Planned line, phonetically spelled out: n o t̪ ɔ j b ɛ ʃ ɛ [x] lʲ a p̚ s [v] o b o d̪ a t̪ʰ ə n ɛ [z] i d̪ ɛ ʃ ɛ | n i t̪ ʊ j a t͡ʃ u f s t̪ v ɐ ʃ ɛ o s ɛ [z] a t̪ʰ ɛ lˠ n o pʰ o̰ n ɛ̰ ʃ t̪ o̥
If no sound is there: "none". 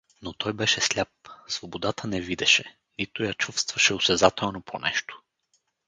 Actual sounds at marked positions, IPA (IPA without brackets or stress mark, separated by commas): s, v, v, z